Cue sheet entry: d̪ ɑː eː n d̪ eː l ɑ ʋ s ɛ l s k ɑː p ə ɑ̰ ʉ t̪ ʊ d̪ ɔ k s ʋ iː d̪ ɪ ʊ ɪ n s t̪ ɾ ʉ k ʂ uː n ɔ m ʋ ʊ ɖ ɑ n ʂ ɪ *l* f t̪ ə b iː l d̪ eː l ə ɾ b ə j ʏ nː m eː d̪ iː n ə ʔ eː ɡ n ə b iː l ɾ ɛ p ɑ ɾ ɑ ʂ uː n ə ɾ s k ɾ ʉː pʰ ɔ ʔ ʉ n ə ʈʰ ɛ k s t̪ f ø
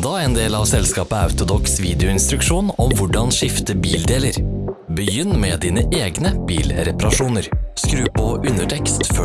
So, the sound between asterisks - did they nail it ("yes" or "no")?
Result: no